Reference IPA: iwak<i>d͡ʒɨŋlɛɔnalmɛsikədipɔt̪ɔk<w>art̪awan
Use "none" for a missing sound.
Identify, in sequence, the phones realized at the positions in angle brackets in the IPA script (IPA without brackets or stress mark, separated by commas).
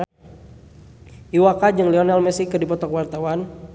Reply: a, w